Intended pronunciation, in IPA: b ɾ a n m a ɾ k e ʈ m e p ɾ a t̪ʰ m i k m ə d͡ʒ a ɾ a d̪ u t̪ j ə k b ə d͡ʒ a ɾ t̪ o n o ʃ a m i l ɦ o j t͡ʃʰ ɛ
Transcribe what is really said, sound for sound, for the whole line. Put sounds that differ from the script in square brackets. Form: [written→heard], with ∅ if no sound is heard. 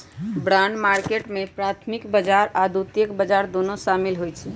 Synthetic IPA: b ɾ a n m a ɾ k e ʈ m e p ɾ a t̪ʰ m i k [m→b] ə d͡ʒ a ɾ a d̪ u t̪ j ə k b ə d͡ʒ a ɾ [t̪→d̪] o n o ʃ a m i l ɦ o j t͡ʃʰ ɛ